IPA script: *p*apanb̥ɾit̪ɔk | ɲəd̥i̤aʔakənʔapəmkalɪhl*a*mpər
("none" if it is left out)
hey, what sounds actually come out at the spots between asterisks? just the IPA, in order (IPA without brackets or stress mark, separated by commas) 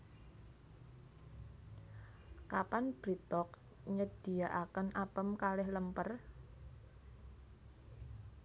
k, ə